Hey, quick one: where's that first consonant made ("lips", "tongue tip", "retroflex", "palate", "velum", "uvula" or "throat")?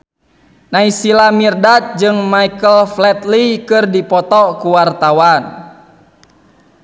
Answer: tongue tip